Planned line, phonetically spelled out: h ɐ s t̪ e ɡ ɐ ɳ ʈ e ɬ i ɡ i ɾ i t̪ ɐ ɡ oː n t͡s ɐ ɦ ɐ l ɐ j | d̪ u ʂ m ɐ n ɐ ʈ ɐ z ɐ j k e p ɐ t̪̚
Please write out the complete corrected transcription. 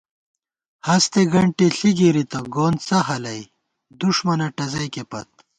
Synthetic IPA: h ɐ s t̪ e ɡ ɐ ɳ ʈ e ɬ i ɡ i ɾ i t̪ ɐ ɡ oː n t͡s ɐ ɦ ɐ l ɐ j | d̪ u ʂ m ɐ n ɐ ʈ ɐ z ɐ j k e p ɐ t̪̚